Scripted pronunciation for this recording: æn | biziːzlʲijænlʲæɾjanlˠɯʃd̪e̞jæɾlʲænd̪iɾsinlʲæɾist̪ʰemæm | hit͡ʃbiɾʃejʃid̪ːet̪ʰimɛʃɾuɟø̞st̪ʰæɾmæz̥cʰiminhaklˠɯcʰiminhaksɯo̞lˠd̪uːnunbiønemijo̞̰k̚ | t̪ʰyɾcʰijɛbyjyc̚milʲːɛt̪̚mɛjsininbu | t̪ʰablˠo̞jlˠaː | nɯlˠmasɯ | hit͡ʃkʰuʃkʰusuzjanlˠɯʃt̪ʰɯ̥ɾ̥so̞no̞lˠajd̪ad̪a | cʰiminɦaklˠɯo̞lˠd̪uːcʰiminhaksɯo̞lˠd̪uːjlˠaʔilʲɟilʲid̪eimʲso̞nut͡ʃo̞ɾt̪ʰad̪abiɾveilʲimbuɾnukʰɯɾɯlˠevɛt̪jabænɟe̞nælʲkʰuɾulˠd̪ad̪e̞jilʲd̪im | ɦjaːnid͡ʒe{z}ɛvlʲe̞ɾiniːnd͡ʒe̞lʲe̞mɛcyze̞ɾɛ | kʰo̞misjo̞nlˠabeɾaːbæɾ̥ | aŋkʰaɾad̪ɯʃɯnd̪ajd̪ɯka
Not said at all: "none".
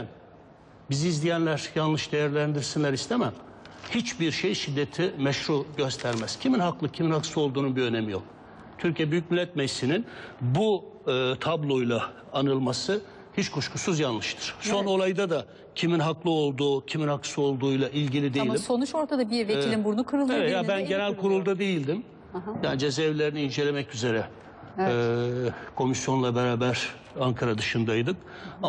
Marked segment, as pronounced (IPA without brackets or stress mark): z